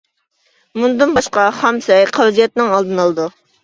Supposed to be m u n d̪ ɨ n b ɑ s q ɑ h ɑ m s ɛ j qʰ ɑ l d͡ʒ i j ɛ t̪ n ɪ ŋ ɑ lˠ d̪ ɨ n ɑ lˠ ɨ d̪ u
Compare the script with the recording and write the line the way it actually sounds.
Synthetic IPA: m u n d̪ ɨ n b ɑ ʃ q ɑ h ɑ m s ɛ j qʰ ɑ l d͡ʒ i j ɛ t̪ n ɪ ŋ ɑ lˠ d̪ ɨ n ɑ lˠ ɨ d̪ u